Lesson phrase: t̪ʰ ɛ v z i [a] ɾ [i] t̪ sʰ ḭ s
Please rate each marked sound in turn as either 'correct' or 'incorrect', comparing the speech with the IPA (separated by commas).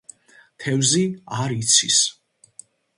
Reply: correct, correct